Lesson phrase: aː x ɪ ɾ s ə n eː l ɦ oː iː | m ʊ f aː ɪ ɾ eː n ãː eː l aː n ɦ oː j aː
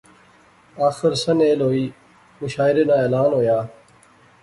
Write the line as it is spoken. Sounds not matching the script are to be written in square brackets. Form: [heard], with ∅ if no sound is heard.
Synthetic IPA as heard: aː x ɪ ɾ s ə n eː l ɦ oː iː | m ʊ [ʃ] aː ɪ ɾ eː n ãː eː l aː n ɦ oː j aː